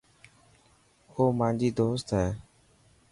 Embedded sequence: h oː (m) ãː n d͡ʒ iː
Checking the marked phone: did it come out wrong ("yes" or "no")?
no